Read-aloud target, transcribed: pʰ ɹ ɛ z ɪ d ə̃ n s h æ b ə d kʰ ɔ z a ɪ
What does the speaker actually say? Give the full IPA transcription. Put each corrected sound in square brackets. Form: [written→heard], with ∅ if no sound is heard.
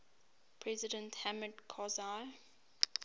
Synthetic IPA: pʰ ɹ ɛ z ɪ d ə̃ n [s→t] h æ [b→m] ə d kʰ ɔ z a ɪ